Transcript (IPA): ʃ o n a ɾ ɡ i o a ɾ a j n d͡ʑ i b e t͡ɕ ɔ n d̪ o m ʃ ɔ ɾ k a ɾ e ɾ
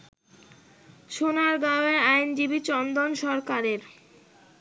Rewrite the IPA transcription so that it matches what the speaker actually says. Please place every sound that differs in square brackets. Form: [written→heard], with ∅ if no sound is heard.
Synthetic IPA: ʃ o n a ɾ ɡ [i→a] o [a→e] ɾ a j n d͡ʑ i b [e→i] t͡ɕ ɔ n d̪ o [m→n] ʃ ɔ ɾ k a ɾ e ɾ